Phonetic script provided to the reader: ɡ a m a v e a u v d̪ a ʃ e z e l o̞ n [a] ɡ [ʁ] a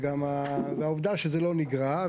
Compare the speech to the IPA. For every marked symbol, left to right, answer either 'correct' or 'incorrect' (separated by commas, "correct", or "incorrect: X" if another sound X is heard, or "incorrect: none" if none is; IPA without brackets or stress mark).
incorrect: i, correct